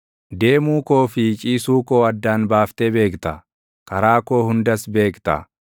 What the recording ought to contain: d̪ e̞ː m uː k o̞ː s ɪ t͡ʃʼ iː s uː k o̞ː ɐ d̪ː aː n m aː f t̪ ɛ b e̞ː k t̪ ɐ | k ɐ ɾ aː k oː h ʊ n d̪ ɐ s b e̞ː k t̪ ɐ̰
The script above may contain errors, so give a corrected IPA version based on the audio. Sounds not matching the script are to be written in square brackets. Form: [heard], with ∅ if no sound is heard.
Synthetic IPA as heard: d̪ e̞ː m uː k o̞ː [f] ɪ t͡ʃʼ iː s uː k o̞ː ɐ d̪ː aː n [b] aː f t̪ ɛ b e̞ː k t̪ ɐ | k ɐ ɾ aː k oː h ʊ n d̪ ɐ s b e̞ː k t̪ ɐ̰

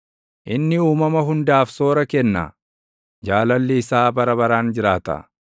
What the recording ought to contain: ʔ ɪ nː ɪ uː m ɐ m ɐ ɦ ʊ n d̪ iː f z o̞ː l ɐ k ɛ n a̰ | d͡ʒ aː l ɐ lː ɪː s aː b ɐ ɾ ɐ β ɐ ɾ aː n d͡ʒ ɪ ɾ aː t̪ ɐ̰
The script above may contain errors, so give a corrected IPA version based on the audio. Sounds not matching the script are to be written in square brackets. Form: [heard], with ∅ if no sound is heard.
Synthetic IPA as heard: ʔ ɪ nː ɪ uː m ɐ m ɐ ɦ ʊ n d̪ [aː] f [s] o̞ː [ɾ] ɐ k ɛ [nː] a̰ | d͡ʒ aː l ɐ lː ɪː s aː b ɐ ɾ ɐ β ɐ ɾ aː n d͡ʒ ɪ ɾ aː t̪ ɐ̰

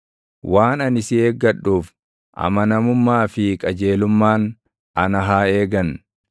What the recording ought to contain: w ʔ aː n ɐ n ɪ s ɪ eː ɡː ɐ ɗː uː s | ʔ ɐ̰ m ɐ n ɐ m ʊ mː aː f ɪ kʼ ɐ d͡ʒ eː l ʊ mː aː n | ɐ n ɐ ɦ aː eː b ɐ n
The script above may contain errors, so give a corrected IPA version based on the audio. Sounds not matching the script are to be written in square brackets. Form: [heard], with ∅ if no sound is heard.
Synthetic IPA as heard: w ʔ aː n ɐ n ɪ s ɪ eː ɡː ɐ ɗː uː [f] | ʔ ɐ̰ m ɐ n ɐ m ʊ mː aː f ɪ kʼ ɐ d͡ʒ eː l ʊ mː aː n | ɐ n ɐ ɦ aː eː [ɡ] ɐ n

